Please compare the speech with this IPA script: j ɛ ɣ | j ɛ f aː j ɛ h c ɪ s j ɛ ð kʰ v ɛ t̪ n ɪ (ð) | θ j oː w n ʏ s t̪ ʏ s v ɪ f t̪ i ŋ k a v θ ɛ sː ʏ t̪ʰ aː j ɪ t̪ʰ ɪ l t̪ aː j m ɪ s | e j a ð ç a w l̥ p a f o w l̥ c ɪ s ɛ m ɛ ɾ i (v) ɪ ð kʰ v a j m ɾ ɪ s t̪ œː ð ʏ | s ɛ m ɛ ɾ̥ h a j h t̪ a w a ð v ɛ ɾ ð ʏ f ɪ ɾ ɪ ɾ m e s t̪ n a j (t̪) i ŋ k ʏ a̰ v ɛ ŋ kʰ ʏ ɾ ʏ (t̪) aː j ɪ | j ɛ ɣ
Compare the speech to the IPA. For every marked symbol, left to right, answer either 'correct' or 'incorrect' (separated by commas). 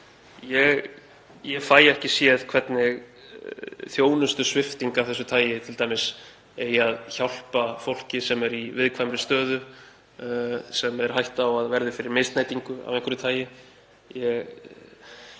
incorrect, correct, correct, incorrect